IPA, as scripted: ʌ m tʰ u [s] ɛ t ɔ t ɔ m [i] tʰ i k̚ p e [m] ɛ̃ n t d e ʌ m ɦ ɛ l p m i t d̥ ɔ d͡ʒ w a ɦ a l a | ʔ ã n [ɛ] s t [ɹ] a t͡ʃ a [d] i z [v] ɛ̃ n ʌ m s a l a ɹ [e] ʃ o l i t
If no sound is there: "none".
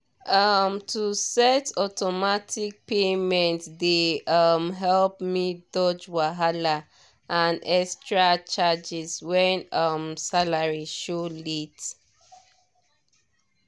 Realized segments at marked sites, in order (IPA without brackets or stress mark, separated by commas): s, a, m, ɛ, ɹ, d͡ʒ, w, i